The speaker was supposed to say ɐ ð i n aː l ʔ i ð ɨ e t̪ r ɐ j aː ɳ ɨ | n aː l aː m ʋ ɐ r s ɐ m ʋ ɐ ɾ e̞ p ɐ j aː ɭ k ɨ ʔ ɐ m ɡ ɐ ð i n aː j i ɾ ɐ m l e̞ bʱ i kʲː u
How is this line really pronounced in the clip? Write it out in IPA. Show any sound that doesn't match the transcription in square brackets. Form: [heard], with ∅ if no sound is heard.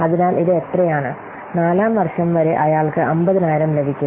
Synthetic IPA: ɐ ð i n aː l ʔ i ð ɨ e t̪ r ɐ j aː ɳ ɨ | n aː l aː m ʋ ɐ r [ʂ] ɐ m ʋ ɐ ɾ e̞ [ʔ] ɐ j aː ɭ k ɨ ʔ ɐ m [b] ɐ ð i n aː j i ɾ ɐ m l e̞ bʱ i kʲː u